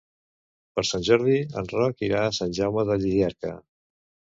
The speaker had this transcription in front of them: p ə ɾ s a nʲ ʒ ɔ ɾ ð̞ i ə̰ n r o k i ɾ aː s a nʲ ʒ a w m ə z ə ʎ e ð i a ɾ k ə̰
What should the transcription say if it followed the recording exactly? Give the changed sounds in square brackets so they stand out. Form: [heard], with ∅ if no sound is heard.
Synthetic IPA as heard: p ə ɾ s a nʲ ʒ ɔ ɾ ð̞ i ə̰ n r [ɔ] k i ɾ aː s a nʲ ʒ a w m ə [ð] ə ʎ [i] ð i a ɾ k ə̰